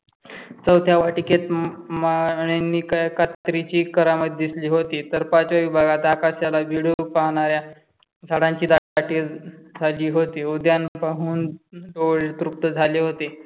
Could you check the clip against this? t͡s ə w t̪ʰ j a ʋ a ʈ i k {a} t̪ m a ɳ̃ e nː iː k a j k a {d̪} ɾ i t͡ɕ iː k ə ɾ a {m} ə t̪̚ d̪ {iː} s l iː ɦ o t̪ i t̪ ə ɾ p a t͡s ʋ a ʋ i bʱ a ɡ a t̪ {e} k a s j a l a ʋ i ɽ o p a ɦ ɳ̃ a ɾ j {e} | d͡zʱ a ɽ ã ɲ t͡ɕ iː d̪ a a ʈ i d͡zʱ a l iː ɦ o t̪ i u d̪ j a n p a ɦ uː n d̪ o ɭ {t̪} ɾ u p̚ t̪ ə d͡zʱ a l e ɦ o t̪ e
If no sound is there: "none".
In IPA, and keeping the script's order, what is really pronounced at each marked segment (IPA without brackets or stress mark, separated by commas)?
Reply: e, t̪, m, i, a, a, t̪